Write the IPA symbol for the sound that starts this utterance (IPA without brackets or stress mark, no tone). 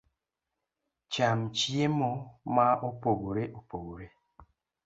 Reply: t͡ʃ